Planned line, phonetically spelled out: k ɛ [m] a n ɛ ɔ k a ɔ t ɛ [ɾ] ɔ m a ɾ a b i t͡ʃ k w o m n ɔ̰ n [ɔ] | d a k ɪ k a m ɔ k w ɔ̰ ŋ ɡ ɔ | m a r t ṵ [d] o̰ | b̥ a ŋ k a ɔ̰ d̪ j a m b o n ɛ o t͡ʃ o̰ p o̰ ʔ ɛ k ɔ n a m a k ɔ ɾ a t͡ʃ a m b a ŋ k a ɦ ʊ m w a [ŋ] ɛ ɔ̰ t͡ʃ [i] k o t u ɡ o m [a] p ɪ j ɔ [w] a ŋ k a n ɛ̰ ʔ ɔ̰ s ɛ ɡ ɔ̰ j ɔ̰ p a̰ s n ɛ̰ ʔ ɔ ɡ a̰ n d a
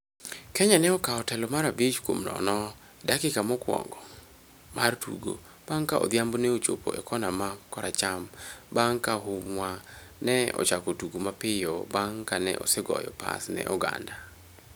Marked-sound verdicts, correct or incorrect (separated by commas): incorrect, incorrect, correct, incorrect, incorrect, incorrect, correct, incorrect